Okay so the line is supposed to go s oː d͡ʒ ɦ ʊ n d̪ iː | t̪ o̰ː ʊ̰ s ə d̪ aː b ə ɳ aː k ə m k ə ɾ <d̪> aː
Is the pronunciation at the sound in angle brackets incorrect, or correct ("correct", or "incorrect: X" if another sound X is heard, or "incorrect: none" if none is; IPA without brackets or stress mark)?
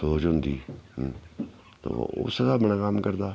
correct